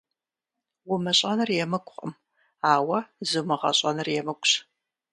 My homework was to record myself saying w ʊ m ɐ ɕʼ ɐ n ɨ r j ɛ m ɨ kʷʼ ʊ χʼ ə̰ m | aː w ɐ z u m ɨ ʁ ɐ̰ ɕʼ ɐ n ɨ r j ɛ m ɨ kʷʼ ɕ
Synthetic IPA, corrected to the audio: w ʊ m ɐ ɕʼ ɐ n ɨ r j ɛ m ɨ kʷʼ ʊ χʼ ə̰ m | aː w ɐ z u m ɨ ʁ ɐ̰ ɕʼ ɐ n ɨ r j ɛ m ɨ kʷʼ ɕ

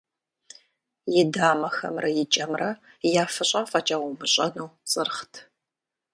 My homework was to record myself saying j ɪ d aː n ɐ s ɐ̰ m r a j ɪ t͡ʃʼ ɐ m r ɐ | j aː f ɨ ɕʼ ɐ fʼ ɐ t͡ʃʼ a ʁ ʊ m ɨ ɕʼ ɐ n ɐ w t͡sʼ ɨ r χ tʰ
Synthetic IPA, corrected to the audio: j ɪ d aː m ɐ x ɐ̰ m r ɐ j ɪ t͡ʃʼ ɐ m r ɐ | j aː f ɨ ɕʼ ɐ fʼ ɐ t͡ʃʼ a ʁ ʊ m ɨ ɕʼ ɐ n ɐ w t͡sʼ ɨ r χ tʰ

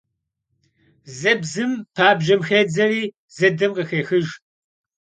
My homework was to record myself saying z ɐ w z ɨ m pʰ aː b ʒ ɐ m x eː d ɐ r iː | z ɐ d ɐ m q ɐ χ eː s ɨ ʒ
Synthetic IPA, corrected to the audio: z ɐ b z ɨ m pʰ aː b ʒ ɐ m x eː d͡z ɐ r iː | z ɐ d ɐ m q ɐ x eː x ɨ ʒ

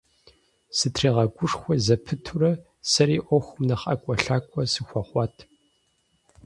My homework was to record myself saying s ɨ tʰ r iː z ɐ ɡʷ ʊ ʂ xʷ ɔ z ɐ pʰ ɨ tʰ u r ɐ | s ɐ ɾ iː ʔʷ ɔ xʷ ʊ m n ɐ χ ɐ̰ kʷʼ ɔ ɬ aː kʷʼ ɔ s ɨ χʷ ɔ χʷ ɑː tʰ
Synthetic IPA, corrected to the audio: s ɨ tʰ r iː ʁ ɐ ɡʷ ʊ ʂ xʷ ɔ z ɐ pʰ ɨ tʰ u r ɐ | s ɐ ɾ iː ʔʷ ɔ xʷ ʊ m n ɐ χ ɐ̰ kʷʼ ɔ ɬ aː kʷʼ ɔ s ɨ xʷ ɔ χʷ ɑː tʰ

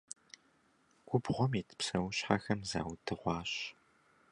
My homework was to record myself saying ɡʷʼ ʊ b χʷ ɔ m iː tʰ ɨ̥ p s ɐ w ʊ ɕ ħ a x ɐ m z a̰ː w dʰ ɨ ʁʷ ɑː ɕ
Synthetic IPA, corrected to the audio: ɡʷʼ ʊ b ʁʷ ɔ m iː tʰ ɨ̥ p s ɐ w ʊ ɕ ħ a x ɐ m z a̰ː w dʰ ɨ ʁʷ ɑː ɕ

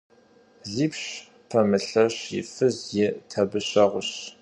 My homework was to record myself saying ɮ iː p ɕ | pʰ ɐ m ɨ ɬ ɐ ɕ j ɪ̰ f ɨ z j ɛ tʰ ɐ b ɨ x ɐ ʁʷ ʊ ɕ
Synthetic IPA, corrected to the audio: ɮ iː p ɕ | pʰ ɐ m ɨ ɬ ɐ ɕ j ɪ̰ f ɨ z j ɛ tʰ ɐ b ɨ ɕ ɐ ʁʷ ʊ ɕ

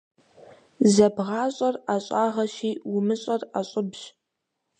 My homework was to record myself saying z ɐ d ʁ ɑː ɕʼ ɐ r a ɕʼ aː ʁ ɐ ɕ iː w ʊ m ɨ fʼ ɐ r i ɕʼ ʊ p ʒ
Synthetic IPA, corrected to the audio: z ɐ b ʁ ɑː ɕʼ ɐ r a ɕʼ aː ʁ ɐ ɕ iː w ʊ m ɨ ɕʼ ɐ r a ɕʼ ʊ b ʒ

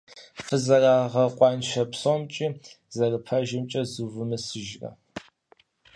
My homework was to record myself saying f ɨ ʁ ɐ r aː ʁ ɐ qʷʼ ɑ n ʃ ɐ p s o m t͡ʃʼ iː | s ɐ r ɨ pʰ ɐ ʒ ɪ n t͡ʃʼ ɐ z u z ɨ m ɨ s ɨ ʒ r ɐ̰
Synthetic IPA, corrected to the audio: f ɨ z ɐ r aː ʁ ɐ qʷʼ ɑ n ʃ ɐ p s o m t͡ʃʼ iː | z ɐ r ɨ pʰ ɐ ʒ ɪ m t͡ʃʼ ɐ z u v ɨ m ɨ s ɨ ʒ r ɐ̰

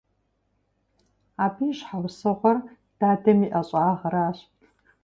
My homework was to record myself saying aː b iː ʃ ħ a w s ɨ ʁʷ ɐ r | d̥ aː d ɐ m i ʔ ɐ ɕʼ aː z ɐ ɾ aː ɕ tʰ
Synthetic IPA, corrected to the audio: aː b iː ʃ ħ a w s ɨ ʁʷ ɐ r | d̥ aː d ɐ m i ʔ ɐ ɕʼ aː ʁ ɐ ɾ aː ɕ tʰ

